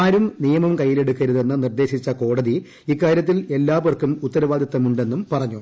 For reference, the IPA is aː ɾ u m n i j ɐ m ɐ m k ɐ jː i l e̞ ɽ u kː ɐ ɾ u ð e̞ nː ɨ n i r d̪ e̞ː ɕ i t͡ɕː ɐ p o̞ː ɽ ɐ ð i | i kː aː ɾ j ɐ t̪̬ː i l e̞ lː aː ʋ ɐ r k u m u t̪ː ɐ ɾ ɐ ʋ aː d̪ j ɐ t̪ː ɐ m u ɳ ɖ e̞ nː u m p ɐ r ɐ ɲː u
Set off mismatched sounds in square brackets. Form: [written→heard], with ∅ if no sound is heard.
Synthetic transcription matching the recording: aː ɾ u m n i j ɐ m ɐ m k ɐ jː i l e̞ ɽ u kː ɐ ɾ u ð e̞ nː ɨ n i r d̪ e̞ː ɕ i t͡ɕː ɐ [p→k] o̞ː ɽ ɐ ð i | i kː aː ɾ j ɐ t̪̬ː i l e̞ lː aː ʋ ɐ r k u m u t̪ː ɐ ɾ ɐ ʋ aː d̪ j ɐ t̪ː ɐ m u ɳ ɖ e̞ nː u m p ɐ r ɐ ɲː u